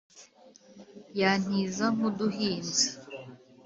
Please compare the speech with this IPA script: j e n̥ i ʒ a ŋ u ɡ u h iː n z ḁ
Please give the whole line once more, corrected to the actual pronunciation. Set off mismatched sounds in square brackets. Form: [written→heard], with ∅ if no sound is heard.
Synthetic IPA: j [e→a] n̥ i [ʒ→z] a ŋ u [ɡ→d] u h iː n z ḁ